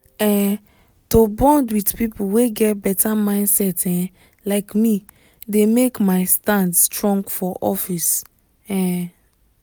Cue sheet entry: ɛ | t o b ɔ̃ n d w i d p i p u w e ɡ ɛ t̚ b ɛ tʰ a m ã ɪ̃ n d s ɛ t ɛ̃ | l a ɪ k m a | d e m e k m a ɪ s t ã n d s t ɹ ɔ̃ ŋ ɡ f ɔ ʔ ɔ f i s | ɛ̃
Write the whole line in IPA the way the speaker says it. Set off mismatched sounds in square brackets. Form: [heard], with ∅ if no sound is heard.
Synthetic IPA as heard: ɛ | t o b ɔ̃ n d w i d p i p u w e ɡ ɛ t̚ b ɛ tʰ a m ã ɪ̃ n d s ɛ t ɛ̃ | l a ɪ k m [i] | d e m e k m a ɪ s t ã n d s t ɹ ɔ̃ ŋ ɡ f ɔ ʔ ɔ f i s | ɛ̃